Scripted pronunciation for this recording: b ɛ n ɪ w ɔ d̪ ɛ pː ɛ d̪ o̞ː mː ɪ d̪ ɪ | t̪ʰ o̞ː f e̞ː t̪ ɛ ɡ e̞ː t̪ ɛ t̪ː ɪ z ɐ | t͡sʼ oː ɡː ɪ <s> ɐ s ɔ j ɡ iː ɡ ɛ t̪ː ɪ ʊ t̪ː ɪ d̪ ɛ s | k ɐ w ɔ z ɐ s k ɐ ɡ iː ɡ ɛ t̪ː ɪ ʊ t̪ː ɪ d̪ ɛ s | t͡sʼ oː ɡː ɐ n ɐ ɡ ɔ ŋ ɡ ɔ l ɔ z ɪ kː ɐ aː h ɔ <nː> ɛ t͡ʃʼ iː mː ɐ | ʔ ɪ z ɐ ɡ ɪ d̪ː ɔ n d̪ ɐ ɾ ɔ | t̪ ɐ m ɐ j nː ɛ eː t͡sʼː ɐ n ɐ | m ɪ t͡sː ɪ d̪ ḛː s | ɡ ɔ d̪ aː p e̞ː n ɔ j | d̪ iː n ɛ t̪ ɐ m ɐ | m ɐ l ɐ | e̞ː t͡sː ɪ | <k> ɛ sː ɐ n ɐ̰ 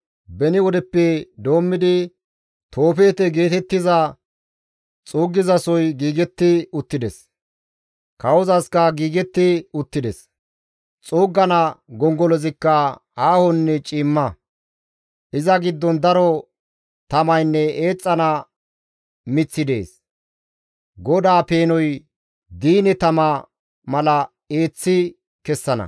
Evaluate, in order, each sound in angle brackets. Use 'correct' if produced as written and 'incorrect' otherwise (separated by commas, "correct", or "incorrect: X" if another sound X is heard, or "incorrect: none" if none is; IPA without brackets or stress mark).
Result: incorrect: z, correct, correct